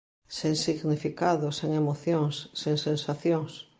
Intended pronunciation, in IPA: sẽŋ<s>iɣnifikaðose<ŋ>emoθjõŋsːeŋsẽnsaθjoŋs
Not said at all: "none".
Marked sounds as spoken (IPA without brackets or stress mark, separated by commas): s, ŋ